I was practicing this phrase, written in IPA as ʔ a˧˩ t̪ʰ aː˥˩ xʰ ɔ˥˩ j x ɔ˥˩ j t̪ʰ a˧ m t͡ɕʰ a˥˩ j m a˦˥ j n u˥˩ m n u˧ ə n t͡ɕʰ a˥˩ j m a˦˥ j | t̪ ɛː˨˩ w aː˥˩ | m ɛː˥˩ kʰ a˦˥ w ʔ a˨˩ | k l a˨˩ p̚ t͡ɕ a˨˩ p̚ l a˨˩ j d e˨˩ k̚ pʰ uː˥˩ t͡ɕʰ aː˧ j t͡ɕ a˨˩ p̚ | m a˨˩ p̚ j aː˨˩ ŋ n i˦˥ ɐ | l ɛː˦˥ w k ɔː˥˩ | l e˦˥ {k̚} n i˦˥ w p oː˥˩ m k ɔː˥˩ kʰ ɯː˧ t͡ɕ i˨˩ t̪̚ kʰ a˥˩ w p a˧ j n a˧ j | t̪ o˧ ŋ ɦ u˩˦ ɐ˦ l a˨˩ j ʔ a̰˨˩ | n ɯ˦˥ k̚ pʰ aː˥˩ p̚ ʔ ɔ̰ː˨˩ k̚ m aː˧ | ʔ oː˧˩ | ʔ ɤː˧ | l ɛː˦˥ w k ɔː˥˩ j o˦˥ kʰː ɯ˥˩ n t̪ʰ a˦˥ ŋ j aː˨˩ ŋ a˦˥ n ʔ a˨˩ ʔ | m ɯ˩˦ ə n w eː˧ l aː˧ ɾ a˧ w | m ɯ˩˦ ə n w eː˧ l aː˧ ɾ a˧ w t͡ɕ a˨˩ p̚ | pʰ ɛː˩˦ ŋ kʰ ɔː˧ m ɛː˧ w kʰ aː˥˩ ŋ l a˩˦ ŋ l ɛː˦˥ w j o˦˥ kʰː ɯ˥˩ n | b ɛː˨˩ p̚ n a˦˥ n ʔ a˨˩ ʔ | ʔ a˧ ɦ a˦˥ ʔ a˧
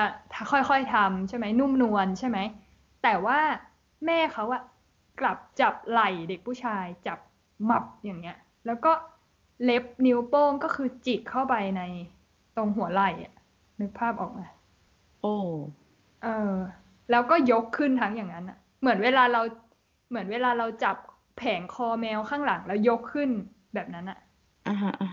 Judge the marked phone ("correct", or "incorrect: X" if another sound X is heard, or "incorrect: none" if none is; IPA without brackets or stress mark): incorrect: p̚